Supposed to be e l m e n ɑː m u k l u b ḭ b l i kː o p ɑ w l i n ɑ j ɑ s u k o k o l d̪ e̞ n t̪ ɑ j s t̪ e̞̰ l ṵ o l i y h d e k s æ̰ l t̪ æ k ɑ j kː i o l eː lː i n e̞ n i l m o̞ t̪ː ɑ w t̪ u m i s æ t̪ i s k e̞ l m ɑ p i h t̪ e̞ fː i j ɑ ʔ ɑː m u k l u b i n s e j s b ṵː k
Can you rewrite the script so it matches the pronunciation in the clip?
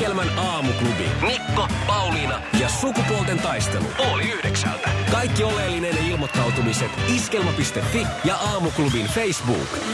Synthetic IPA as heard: e l m æ n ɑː m u k l u b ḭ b l i kː o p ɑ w l i n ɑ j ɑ s u k u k o l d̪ e̞ n t̪ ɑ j s t̪ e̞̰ l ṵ o l i y h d e k s æ̰ l t̪ æ k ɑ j kː i o l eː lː i n e̞ n i l m o̞ t̪ː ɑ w t̪ u m i s e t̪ i s k e̞ l m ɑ p i s t̪ e̞ fː i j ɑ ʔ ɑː m u k l u b i n f e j s b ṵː k